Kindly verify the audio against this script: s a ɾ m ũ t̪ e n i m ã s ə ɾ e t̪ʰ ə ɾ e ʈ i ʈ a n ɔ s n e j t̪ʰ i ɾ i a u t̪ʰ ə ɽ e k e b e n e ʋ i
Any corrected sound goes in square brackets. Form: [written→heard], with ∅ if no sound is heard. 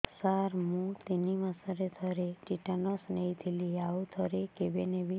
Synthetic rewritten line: s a ɾ m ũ t̪ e n i m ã s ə ɾ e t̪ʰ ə ɾ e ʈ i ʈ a n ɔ s n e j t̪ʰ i [ɾ→l] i a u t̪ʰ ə [ɽ→ɾ] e k e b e n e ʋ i